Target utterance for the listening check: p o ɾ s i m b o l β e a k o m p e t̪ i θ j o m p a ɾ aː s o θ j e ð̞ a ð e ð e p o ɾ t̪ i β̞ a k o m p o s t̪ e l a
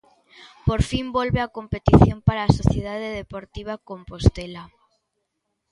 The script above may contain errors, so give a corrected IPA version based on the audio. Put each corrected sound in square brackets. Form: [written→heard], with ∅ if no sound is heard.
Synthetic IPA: p o ɾ [s→f] i m b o l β e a k o m p e t̪ i θ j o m p a ɾ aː s o θ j e ð̞ a ð e ð e p o ɾ t̪ i β̞ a k o m p o s t̪ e l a